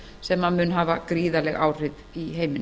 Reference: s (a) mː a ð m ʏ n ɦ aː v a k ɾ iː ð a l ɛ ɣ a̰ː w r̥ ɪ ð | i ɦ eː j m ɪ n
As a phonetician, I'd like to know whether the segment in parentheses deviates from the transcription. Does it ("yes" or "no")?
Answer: yes